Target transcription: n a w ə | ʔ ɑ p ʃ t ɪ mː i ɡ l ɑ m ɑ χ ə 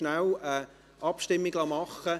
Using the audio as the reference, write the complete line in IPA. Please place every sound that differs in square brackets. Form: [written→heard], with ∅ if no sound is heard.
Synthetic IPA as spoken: n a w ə | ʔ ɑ p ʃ t ɪ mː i ɡ l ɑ m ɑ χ ə